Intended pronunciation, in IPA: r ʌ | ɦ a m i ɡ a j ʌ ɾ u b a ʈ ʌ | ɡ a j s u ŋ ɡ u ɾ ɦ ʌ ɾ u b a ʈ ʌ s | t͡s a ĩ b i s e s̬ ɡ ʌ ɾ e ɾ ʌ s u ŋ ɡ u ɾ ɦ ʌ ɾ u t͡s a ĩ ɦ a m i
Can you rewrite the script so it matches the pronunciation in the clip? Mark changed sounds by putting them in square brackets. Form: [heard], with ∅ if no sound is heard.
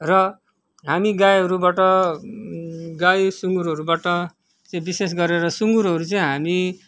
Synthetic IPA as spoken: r ʌ | ɦ a m i ɡ a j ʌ ɾ u b a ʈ ʌ | ɡ a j s u ŋ ɡ u ɾ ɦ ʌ ɾ u b a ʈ ʌ [∅] | t͡s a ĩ b i s e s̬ ɡ ʌ ɾ e ɾ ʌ s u ŋ ɡ u ɾ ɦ ʌ ɾ u t͡s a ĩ ɦ a m i